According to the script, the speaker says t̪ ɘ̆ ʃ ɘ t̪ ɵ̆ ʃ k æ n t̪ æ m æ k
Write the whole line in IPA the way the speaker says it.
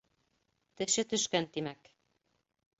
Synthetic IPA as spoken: t̪ ɘ̆ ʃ ɘ t̪ ɵ̆ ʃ k æ n t̪ i m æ k